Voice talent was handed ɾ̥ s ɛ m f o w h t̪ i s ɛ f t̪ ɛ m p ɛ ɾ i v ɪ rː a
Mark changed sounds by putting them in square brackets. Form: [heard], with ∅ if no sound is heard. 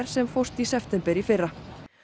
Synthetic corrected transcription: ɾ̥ s ɛ m f o w [s] t̪ i s ɛ f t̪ ɛ m p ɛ ɾ i [f] ɪ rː a